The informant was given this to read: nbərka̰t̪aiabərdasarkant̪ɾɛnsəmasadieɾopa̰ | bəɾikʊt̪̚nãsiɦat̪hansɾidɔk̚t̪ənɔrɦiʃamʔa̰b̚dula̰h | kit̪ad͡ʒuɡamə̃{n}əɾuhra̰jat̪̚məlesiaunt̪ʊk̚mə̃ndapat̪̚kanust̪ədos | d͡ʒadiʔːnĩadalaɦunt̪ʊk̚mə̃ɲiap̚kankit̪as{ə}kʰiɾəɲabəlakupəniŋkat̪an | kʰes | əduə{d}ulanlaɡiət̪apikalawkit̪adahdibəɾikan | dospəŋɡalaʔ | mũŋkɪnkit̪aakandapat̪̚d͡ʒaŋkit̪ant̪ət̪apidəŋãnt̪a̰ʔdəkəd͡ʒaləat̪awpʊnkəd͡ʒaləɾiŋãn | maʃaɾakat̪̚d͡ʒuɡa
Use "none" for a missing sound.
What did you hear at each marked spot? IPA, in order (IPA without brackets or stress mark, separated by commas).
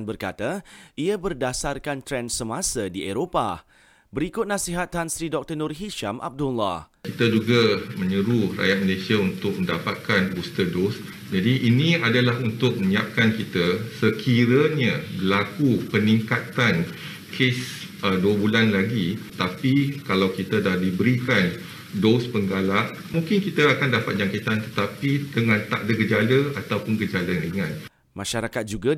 ɲ, ə, b